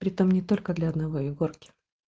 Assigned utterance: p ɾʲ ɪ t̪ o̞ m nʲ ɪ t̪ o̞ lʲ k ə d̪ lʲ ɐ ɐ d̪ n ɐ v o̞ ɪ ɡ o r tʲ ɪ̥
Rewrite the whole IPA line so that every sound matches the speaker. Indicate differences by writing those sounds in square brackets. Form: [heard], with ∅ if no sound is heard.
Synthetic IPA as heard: p ɾʲ ɪ t̪ o̞ m nʲ ɪ t̪ o̞ lʲ k ə d̪ lʲ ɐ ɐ d̪ n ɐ v o̞ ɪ ɡ o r [kʲ] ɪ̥